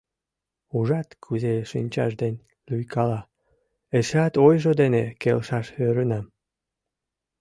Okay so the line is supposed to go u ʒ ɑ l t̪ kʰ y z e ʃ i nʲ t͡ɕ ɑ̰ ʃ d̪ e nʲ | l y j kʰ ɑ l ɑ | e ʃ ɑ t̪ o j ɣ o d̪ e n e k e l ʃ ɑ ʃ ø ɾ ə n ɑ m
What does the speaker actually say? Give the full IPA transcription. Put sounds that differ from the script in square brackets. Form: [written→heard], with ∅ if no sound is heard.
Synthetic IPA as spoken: u ʒ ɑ [l→∅] t̪ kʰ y z e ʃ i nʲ t͡ɕ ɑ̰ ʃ d̪ e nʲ | l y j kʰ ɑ l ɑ | e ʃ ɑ t̪ o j [ɣ→ʒ] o d̪ e n e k e l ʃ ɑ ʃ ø ɾ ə n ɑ m